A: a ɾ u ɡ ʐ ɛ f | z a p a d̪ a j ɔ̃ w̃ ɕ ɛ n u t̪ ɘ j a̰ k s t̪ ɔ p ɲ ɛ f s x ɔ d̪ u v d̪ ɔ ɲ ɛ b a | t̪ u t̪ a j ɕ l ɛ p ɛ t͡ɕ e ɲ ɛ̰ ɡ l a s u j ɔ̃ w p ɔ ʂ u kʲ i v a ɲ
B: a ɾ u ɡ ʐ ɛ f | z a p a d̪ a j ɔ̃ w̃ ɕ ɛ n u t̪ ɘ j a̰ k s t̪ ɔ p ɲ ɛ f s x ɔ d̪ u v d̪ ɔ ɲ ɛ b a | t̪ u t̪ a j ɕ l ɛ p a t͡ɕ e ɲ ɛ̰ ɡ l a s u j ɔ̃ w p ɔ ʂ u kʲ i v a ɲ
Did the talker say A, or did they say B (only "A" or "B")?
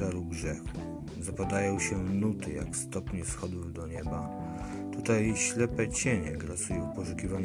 A